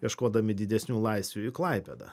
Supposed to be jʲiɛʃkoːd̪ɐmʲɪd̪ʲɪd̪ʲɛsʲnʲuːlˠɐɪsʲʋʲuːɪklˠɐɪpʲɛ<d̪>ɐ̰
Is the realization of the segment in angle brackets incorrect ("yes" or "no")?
no